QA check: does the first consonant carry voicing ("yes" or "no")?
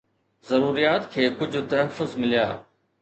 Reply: yes